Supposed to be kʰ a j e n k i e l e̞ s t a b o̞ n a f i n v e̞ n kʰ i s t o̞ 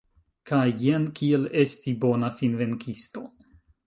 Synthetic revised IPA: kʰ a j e n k i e l e̞ s t i b o̞ n a f i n v e̞ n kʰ i s t o̞

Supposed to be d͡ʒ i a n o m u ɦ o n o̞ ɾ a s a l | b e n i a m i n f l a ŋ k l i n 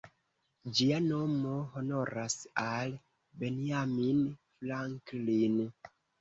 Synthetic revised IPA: d͡ʒ i a n o m o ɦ o n o̞ ɾ a s a l | b e n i a m i n f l a ŋ k l i n

